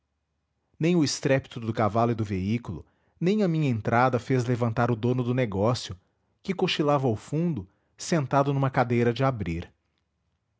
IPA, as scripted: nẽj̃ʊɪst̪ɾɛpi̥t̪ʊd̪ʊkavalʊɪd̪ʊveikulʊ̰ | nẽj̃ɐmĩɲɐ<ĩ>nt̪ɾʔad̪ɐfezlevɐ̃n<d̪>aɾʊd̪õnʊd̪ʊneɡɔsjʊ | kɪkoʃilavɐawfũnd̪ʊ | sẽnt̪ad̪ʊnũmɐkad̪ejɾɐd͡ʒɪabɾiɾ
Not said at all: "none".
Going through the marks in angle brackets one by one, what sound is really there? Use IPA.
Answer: ẽ, t̪

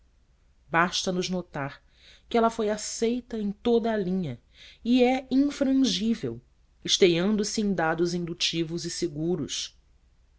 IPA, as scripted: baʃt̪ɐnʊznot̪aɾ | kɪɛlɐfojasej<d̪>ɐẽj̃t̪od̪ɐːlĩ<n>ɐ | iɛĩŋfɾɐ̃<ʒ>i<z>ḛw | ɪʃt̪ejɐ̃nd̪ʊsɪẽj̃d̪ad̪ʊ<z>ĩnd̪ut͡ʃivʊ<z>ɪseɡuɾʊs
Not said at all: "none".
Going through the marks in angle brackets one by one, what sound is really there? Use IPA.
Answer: t̪, ɲ, ʒ, v, z, z

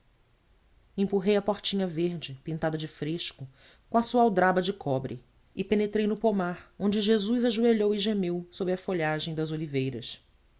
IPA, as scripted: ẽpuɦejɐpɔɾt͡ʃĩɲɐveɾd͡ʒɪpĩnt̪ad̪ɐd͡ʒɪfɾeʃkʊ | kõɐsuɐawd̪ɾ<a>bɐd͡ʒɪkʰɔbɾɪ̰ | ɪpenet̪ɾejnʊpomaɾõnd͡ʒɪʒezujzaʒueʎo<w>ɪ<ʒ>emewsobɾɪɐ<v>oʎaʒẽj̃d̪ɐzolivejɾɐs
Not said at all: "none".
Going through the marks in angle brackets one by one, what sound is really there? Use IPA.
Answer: a, w, ʒ, f

